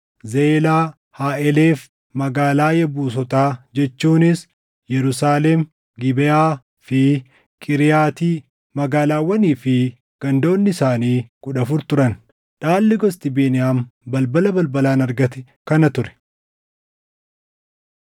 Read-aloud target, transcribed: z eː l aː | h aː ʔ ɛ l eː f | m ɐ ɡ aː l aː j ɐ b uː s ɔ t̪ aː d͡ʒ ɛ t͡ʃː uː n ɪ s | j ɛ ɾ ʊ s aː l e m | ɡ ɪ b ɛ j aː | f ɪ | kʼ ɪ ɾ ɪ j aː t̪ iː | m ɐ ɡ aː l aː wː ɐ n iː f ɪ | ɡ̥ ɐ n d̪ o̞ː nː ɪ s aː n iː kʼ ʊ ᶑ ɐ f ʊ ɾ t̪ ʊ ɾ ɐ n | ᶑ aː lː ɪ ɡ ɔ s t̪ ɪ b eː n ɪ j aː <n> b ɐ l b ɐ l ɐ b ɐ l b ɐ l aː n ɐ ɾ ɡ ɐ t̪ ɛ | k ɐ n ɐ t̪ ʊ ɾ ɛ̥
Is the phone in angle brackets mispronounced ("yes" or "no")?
yes